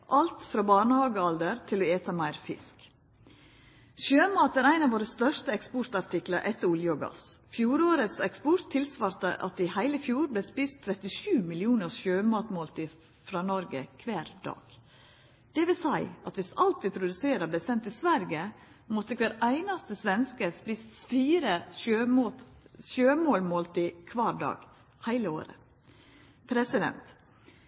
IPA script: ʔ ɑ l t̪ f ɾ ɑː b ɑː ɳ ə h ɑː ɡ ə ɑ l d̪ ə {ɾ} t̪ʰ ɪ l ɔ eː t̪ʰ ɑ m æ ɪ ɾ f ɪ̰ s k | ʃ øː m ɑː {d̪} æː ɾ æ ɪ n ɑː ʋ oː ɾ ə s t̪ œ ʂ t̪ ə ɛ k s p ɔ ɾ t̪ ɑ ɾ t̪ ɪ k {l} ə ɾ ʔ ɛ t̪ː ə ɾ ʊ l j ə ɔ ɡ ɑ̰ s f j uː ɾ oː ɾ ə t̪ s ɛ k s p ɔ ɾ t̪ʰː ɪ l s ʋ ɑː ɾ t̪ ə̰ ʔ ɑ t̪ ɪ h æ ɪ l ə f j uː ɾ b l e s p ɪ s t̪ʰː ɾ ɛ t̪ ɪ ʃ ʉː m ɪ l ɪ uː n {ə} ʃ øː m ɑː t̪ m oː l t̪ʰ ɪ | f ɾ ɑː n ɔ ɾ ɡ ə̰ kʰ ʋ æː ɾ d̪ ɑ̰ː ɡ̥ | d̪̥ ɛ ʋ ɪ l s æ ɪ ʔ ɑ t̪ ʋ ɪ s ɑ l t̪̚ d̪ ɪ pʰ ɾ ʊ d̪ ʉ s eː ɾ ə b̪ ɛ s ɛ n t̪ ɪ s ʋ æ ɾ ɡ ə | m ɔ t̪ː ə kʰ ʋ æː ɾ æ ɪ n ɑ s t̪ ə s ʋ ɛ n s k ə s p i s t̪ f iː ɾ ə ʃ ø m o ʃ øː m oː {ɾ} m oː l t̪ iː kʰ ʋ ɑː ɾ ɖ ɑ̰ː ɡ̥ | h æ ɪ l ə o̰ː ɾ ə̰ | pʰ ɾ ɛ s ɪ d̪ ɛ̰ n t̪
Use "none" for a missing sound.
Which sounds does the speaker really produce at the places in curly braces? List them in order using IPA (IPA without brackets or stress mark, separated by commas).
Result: ɾ, t̪, l, ə, l